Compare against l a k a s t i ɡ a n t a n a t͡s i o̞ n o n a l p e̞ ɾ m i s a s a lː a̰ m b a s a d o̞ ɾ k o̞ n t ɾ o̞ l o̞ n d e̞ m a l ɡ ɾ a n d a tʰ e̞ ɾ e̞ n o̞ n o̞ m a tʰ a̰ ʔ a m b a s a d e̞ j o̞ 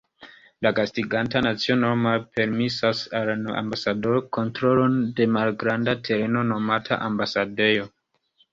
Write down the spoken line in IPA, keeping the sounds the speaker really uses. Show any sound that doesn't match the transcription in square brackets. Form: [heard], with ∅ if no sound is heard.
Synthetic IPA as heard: l a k a s t i ɡ a n t a n a t͡s i o̞ n o [m] a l p e̞ ɾ m i s a s a [l] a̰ m b a s a d o̞ ɾ k o̞ n t ɾ o̞ l o̞ n d e̞ m a l ɡ ɾ a n d a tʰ e̞ ɾ e̞ n o̞ n o̞ m a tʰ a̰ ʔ a m b a s a d e̞ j o̞